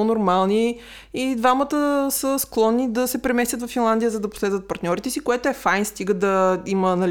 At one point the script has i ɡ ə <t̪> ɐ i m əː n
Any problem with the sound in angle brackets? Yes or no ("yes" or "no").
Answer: yes